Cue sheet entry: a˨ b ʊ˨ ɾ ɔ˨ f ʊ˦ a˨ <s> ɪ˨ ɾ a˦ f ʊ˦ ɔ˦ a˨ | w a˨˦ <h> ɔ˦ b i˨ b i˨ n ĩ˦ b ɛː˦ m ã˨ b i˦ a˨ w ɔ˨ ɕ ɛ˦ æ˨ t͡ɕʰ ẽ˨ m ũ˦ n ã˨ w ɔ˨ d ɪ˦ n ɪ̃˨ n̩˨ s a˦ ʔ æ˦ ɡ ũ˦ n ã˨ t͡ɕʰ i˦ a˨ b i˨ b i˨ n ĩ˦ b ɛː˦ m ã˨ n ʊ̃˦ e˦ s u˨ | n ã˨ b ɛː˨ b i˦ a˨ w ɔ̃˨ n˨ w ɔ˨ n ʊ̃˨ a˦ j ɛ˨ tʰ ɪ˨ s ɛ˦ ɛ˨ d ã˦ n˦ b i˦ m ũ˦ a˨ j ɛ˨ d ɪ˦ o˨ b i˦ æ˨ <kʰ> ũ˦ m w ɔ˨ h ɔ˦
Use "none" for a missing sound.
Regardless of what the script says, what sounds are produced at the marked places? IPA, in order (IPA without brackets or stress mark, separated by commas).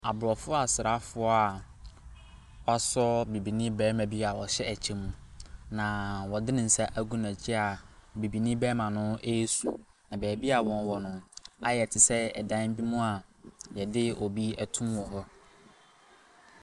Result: s, s, tʰ